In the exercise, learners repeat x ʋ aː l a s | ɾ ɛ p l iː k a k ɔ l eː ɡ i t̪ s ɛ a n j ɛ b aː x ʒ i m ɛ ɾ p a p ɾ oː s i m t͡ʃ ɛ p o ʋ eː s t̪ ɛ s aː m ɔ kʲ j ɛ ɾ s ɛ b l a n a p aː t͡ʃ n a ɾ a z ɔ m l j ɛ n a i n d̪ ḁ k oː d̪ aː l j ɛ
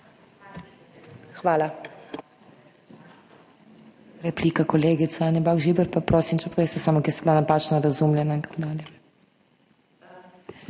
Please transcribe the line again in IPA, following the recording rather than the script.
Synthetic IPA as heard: x ʋ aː l a | ɾ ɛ p l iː k a k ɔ l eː ɡ i t̪ s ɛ a n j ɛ b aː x ʒ i b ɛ ɾ p a p ɾ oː s i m t͡ʃ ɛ p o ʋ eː s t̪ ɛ s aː m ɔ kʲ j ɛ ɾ s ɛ b l a n a p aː t͡ʃ n a ɾ a z u m l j ɛ n a i n t̪ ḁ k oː d̪ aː l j ɛ